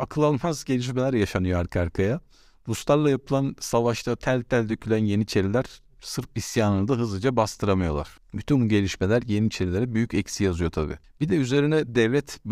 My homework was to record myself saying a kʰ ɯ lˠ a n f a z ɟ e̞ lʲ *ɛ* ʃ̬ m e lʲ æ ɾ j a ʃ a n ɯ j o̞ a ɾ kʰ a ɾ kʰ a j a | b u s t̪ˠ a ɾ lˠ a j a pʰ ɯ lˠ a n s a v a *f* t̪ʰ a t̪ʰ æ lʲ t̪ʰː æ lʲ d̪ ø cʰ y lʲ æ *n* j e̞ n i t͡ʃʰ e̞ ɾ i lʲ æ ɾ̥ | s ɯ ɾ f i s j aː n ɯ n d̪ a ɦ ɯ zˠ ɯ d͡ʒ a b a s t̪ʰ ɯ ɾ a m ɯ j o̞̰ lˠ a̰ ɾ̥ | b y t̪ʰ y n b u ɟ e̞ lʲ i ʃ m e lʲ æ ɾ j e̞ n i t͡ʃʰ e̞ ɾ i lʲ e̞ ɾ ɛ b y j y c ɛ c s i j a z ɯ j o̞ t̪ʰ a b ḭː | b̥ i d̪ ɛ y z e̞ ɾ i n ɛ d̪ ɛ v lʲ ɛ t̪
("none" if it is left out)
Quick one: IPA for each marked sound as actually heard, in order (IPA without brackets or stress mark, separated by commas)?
i, ʃ, n